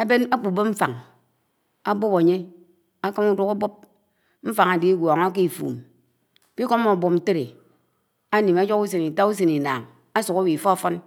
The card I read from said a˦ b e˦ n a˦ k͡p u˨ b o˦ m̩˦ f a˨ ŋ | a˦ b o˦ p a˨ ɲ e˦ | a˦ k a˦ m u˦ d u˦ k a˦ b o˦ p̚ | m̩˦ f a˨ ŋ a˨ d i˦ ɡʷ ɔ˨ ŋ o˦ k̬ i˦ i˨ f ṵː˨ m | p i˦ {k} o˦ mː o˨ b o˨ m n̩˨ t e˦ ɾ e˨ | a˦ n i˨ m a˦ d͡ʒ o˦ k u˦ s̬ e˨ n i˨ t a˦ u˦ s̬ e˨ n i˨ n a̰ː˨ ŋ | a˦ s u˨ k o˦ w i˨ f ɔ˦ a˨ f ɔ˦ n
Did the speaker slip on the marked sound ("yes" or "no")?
no